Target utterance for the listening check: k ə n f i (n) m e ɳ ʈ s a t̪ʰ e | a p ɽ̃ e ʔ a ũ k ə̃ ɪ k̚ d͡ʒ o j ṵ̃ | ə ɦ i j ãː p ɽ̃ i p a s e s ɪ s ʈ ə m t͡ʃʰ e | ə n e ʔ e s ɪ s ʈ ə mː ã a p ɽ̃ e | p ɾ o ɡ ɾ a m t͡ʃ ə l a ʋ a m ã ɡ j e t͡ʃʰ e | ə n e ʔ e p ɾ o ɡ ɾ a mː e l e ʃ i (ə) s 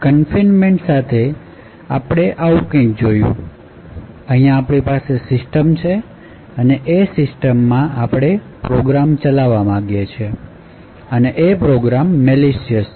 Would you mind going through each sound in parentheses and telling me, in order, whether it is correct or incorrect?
correct, correct

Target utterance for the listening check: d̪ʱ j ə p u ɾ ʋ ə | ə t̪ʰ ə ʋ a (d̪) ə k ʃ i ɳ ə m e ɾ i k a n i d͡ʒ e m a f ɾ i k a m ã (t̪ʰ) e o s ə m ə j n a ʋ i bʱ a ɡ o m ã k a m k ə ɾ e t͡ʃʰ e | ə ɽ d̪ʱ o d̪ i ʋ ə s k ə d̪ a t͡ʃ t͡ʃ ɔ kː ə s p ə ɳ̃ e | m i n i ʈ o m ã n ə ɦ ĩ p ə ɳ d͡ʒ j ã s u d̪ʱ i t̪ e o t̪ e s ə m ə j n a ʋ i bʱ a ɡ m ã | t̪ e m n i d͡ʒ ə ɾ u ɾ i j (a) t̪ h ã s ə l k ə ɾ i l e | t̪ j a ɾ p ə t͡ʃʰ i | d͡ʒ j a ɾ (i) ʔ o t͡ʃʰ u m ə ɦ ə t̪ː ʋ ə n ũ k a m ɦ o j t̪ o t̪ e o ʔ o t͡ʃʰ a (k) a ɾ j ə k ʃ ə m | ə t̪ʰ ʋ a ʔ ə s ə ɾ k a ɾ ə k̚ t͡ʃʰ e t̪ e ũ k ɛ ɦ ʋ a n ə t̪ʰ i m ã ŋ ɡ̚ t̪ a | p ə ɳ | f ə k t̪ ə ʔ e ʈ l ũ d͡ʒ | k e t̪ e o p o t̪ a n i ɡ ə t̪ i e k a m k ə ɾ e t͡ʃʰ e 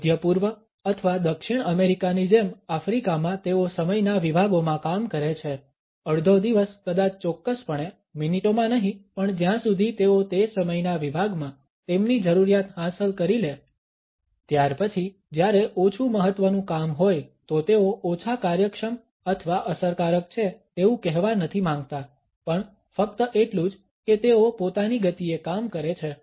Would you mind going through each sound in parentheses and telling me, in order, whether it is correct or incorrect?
correct, incorrect: t̪, correct, incorrect: e, correct

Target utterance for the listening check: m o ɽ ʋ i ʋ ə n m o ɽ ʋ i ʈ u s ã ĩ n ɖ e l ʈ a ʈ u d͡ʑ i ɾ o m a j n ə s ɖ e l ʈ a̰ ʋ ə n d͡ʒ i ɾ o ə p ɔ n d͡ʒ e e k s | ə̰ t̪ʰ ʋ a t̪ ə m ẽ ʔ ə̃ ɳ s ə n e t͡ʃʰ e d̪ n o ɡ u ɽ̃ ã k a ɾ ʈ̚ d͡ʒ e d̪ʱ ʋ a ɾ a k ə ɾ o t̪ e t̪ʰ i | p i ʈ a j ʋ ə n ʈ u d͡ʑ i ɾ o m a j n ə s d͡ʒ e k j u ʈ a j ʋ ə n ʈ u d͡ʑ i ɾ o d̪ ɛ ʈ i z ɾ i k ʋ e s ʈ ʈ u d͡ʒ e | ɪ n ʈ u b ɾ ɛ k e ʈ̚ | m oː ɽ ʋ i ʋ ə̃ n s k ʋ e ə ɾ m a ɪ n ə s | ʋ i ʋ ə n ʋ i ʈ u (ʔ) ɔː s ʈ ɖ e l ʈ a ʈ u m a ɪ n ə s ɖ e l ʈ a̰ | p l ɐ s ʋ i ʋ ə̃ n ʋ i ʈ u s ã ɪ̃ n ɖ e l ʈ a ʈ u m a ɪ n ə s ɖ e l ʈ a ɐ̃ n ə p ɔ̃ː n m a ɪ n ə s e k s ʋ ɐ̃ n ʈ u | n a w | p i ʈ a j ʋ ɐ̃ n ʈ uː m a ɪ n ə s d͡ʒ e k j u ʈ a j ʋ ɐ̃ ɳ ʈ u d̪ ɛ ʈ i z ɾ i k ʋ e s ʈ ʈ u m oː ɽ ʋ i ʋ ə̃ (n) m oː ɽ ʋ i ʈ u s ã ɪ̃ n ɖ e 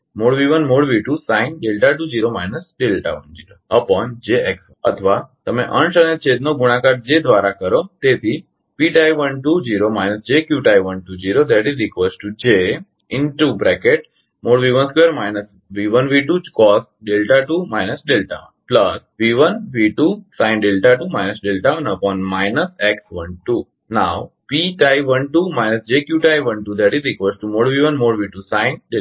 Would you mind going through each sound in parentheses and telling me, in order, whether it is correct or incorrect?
incorrect: k, correct

